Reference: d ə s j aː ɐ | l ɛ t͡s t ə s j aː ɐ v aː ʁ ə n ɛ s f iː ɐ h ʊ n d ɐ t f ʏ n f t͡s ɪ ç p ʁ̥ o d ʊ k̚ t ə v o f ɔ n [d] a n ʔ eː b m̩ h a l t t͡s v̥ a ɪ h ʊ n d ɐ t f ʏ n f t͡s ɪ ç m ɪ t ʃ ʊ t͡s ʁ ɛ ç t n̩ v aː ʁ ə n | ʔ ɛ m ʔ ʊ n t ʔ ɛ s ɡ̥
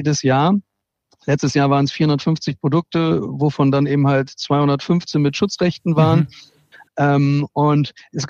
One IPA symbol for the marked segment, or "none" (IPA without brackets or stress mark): d